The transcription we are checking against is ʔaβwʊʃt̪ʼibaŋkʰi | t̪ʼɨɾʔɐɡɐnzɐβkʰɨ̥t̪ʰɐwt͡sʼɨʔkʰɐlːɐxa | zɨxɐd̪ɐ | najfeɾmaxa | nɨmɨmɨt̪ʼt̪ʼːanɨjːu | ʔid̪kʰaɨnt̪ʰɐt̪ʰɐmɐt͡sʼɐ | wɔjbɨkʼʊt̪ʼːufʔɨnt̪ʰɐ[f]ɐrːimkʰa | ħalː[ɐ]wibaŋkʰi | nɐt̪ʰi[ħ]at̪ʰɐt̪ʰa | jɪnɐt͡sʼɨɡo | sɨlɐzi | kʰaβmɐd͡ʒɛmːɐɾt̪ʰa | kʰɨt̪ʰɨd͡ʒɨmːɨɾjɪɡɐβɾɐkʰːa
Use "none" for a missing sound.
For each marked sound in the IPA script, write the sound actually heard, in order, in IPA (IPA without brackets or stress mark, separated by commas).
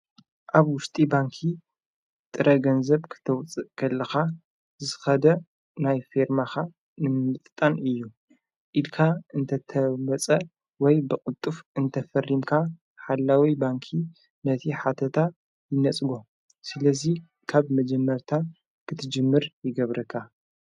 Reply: f, a, ħ